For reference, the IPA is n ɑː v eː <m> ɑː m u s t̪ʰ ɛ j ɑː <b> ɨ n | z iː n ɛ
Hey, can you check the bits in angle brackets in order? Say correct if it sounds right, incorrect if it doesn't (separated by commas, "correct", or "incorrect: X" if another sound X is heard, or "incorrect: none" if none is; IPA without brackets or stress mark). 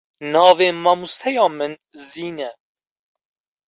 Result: correct, incorrect: m